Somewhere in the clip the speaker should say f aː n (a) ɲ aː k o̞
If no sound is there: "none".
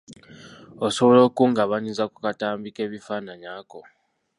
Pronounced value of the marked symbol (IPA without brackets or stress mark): a